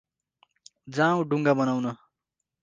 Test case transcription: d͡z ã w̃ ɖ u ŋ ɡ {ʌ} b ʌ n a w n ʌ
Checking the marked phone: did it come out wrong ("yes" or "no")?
yes